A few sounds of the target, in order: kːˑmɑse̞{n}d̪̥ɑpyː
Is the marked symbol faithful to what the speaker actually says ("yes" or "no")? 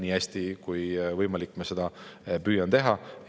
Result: no